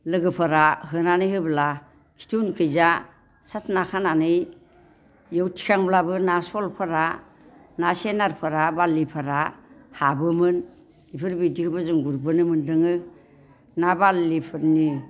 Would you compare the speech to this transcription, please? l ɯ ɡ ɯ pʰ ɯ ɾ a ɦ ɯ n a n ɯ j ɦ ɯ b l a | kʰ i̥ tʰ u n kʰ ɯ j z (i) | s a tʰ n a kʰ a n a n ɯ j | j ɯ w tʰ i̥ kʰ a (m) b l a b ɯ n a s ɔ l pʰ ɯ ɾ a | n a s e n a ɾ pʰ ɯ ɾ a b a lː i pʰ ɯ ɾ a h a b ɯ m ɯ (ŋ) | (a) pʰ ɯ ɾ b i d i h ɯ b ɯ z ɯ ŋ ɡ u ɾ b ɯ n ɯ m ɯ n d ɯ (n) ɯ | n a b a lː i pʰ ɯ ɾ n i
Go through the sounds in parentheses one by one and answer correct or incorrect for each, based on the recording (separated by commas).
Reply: incorrect, incorrect, incorrect, incorrect, incorrect